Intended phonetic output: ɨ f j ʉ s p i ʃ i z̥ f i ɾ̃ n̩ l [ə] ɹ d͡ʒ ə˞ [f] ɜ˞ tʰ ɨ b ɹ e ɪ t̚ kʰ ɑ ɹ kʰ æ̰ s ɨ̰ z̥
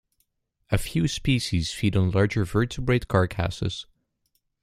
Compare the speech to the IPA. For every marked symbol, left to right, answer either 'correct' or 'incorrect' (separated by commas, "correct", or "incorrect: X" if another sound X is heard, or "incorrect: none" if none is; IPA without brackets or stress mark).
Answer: incorrect: ɑ, incorrect: v